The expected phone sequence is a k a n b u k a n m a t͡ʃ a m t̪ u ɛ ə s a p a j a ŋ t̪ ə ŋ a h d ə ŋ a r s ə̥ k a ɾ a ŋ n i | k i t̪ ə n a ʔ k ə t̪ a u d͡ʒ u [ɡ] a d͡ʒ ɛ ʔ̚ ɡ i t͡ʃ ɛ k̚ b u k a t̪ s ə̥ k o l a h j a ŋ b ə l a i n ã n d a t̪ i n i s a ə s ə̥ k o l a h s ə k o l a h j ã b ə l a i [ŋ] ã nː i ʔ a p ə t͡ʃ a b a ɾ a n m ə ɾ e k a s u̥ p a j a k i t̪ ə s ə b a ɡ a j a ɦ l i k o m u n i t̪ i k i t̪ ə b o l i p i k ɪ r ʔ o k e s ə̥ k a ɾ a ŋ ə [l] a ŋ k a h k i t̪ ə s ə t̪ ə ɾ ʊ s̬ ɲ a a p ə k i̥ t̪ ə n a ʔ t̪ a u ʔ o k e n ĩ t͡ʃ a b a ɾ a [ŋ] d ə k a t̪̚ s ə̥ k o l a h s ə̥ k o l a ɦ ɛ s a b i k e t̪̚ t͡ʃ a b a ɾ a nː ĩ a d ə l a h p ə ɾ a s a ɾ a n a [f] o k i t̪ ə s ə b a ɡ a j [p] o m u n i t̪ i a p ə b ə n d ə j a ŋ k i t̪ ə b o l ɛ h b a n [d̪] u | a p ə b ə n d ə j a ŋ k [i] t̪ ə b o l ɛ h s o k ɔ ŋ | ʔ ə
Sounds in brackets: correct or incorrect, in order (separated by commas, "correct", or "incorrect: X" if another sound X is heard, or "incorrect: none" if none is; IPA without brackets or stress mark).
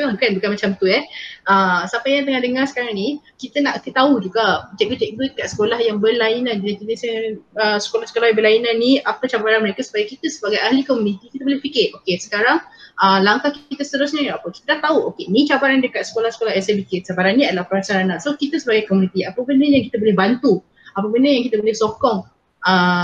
correct, incorrect: n, correct, incorrect: n, incorrect: s, incorrect: k, incorrect: t̪, correct